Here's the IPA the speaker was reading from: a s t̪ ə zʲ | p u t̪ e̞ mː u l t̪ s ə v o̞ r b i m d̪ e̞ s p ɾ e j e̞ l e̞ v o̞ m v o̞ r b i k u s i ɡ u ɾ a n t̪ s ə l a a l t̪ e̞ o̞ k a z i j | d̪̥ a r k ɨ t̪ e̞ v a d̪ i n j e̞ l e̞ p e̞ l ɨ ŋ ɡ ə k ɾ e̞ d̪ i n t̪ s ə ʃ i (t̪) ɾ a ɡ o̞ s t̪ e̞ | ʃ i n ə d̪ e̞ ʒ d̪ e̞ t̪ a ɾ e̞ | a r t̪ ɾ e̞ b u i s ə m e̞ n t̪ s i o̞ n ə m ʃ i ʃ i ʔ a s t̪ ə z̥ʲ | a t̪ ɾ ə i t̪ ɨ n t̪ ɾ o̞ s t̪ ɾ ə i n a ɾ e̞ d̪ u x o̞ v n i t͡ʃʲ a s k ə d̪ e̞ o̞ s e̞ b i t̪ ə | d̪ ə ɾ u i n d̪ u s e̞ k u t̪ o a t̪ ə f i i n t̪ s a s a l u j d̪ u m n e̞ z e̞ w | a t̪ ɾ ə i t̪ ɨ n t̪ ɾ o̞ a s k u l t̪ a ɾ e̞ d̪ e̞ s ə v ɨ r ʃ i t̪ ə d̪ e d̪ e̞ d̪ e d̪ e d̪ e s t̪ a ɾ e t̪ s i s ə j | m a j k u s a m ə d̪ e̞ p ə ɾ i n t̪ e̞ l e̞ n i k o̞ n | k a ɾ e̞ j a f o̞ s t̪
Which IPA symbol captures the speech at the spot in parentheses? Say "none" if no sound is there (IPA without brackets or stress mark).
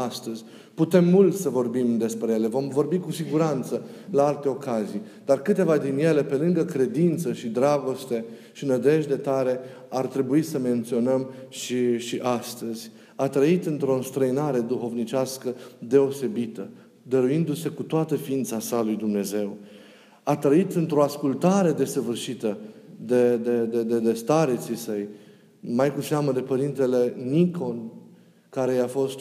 d̪